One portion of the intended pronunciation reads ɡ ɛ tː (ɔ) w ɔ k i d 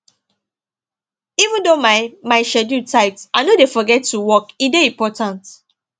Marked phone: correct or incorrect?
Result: incorrect: u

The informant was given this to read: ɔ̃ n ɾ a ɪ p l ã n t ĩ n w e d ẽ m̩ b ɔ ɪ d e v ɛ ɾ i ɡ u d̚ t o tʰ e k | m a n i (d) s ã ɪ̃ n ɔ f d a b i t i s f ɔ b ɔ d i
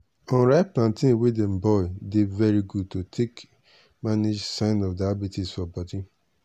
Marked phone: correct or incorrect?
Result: incorrect: d͡ʒ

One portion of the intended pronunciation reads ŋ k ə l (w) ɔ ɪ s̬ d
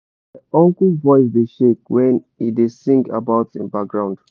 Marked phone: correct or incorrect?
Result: incorrect: v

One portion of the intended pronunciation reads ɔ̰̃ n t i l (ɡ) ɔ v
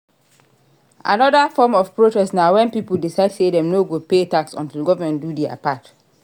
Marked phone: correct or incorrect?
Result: correct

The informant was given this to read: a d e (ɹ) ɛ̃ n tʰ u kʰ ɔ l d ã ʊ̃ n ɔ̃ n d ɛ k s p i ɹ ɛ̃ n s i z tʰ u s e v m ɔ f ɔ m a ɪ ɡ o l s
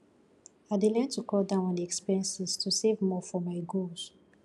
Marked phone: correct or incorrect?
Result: incorrect: l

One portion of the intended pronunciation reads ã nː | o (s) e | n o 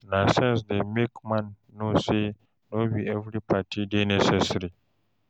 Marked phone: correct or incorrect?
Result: correct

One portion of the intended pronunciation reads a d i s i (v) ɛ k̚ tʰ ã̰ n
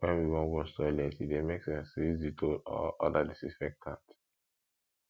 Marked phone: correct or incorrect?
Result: incorrect: f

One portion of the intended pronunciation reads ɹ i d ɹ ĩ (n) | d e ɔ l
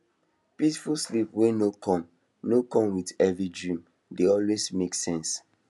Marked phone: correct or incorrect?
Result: incorrect: m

